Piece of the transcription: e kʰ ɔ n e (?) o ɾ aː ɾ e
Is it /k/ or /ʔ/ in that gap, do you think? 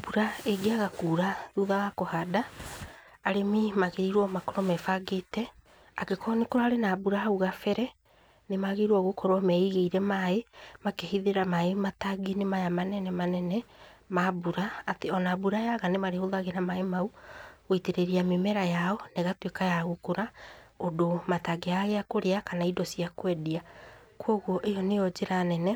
k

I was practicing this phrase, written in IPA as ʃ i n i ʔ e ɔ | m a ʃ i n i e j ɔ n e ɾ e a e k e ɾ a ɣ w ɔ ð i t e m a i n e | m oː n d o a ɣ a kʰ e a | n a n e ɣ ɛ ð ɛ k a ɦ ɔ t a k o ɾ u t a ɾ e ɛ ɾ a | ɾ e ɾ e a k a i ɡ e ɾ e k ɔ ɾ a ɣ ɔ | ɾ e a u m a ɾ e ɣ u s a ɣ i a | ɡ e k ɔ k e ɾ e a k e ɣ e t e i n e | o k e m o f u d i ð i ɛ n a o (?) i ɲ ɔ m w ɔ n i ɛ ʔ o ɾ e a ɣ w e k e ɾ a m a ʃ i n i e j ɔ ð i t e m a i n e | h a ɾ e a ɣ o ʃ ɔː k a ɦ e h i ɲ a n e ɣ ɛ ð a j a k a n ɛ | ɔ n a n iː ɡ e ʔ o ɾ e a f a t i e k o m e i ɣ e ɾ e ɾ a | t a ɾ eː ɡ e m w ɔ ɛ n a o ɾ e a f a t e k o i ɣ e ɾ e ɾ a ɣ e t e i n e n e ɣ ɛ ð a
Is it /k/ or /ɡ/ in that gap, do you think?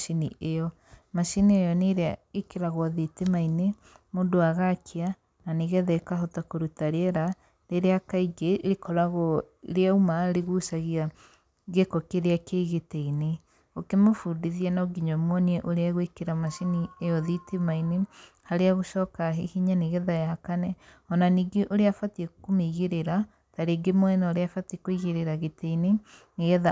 ɡ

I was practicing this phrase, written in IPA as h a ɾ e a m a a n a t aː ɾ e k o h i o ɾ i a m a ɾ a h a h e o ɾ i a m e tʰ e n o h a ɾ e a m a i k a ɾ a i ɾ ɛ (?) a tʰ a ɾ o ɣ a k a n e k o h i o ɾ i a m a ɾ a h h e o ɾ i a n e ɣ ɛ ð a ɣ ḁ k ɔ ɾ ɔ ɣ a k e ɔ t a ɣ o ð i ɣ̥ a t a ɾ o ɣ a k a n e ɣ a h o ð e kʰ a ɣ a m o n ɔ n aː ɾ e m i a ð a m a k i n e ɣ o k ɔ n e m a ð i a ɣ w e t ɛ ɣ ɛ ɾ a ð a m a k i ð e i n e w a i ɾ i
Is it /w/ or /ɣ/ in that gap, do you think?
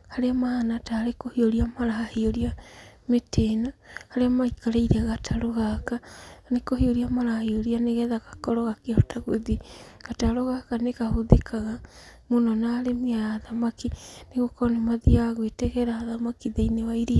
ɣ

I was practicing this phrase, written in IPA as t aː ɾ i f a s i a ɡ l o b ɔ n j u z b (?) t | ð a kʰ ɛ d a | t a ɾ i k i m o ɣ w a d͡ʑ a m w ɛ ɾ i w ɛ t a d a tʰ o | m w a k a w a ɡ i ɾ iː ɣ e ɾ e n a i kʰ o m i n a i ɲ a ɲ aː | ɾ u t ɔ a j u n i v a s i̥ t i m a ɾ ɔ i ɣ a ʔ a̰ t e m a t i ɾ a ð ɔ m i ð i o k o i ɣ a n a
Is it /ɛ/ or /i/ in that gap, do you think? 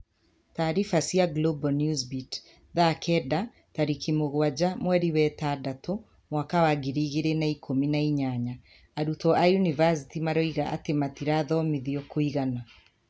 i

